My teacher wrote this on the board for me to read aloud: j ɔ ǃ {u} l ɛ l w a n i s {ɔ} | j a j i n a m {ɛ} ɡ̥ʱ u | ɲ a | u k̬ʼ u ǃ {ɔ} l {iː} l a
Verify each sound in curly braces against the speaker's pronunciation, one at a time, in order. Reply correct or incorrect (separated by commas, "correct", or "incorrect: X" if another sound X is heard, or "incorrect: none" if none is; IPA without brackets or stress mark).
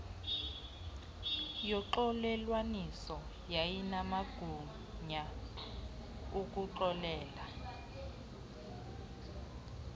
incorrect: ɔ, correct, incorrect: a, correct, incorrect: ɛː